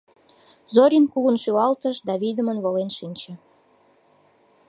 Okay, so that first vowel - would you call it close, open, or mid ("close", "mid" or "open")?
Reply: mid